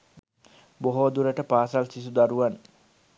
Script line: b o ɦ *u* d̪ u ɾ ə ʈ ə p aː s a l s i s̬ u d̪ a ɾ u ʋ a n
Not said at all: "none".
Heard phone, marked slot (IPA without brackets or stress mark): o